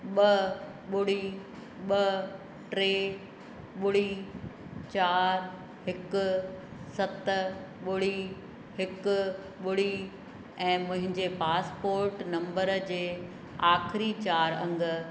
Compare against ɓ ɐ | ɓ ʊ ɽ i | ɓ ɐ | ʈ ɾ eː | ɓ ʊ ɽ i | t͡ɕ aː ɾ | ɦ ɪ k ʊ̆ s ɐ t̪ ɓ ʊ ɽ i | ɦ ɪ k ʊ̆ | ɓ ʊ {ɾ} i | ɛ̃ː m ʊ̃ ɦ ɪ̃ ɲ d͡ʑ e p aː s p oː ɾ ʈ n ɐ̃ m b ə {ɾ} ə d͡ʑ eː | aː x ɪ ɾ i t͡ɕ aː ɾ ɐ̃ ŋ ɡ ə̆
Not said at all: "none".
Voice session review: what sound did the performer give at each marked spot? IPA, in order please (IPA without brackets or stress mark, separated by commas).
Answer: ɽ, ɾ